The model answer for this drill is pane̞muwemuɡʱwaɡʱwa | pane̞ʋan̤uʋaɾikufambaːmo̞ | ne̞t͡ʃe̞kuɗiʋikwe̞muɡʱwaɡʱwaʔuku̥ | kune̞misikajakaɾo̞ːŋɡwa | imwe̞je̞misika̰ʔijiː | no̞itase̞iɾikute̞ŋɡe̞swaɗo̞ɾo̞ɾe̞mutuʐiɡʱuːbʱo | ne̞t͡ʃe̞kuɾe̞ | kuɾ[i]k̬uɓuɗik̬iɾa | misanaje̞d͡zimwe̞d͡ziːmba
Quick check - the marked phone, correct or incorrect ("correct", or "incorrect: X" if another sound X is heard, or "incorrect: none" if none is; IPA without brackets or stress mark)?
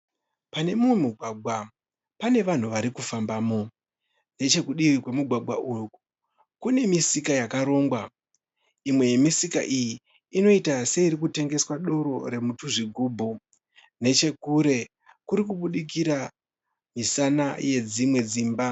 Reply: correct